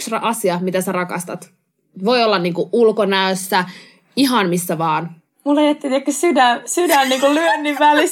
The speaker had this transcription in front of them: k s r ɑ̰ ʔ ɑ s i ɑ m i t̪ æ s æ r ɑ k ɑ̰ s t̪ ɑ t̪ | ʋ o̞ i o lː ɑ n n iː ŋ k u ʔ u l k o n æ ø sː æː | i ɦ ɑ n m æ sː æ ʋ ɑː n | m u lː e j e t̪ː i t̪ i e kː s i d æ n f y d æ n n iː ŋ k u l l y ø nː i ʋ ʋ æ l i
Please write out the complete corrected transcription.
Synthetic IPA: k s r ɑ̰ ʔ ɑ s i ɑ m i t̪ æ s æ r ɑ k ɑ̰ s t̪ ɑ t̪ | ʋ o̞ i o lː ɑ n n iː ŋ k u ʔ u l k o n æ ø sː æ | i ɦ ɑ n m i sː æ ʋ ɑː n | m u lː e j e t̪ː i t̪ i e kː s y d æ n s y d æ n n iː ŋ k u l l y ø nː i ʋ ʋ æ l i